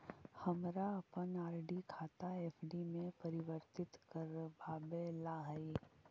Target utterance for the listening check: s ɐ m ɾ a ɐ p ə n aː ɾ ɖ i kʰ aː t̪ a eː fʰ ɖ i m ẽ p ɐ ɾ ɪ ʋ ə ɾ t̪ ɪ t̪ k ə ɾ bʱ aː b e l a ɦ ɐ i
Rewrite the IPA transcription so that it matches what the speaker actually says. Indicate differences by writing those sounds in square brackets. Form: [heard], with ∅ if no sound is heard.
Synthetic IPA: [h] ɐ m ɾ a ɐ p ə n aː ɾ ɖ i kʰ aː t̪ a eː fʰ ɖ i m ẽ p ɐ ɾ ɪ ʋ ə ɾ t̪ ɪ t̪ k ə ɾ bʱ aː b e l a ɦ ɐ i